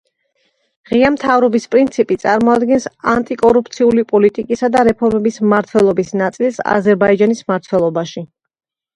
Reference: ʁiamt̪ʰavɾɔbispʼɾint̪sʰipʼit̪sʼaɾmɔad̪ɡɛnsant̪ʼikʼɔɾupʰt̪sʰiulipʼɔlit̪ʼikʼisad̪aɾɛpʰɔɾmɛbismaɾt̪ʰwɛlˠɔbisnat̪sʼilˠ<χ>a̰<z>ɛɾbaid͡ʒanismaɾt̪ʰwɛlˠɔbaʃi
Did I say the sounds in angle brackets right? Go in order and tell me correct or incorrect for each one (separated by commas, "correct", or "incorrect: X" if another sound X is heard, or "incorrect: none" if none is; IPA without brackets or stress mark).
incorrect: s, correct